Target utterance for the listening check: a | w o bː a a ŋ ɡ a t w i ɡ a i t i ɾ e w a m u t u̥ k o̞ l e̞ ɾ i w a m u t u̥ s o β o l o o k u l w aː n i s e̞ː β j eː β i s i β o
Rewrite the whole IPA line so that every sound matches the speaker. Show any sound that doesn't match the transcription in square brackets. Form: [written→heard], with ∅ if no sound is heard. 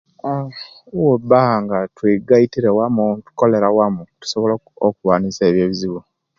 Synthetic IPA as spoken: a | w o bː a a ŋ ɡ a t w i ɡ a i t i ɾ e w a m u t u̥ k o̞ l e̞ ɾ [i→a] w a m u t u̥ s o β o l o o k u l w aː n i s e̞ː β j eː β i [s→z] i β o